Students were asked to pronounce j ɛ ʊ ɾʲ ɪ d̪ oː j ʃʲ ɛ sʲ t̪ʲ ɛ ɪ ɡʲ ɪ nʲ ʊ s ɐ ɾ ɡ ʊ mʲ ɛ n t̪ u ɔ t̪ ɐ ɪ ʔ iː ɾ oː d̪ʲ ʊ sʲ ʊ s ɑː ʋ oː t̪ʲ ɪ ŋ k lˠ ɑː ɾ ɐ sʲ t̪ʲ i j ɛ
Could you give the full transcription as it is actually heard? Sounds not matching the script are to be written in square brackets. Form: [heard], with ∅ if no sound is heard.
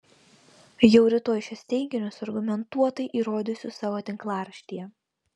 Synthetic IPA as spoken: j ɛ ʊ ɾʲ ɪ [t̪] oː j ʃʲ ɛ sʲ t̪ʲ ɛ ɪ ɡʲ ɪ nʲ ʊ s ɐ ɾ ɡ ʊ mʲ ɛ n t̪ u ɔ t̪ ɐ ɪ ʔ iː ɾ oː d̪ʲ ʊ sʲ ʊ s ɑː ʋ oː t̪ʲ ɪ ŋ k lˠ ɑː ɾ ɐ [ʃʲ] t̪ʲ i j ɛ